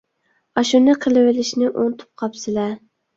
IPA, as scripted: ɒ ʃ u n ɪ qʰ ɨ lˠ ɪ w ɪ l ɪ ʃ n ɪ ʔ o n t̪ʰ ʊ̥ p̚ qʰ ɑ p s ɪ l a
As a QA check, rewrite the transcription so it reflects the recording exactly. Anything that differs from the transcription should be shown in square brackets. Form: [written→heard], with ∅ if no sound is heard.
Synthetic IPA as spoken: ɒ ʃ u n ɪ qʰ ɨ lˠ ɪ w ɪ l ɪ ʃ n ɪ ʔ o n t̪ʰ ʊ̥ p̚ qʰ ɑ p s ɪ l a